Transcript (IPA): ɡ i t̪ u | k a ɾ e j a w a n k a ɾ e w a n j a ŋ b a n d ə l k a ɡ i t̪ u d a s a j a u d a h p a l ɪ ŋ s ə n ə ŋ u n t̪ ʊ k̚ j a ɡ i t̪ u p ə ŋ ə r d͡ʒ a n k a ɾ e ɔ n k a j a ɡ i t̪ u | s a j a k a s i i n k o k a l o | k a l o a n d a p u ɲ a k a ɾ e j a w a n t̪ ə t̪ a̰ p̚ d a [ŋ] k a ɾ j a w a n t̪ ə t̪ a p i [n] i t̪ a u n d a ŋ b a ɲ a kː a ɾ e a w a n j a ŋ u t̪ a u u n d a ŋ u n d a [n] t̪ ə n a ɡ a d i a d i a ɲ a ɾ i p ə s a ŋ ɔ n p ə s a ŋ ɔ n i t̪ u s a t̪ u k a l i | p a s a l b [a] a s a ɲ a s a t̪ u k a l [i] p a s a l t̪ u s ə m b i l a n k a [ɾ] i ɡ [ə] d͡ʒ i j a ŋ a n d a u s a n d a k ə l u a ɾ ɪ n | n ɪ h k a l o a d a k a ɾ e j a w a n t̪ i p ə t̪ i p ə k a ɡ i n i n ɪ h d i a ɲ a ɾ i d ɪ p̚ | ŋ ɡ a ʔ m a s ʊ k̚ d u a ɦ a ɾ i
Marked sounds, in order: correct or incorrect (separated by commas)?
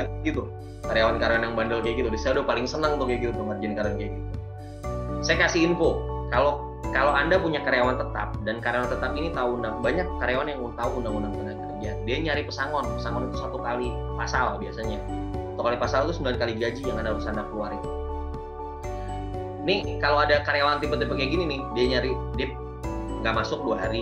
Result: incorrect, correct, incorrect, incorrect, correct, incorrect, incorrect